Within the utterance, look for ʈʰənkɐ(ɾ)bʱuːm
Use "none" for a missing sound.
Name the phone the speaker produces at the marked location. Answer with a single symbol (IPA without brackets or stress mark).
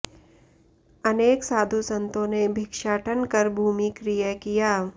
ɾ